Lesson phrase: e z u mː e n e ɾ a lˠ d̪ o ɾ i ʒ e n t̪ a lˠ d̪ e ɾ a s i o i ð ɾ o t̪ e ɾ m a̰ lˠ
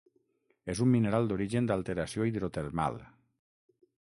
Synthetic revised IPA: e z u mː i n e ɾ a lˠ d̪ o ɾ i ʒ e n d̪ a lˠ t̪ e ɾ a s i o i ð ɾ o t̪ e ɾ m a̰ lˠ